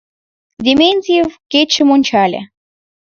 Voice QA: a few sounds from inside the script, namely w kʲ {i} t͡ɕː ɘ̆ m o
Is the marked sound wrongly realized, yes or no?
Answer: yes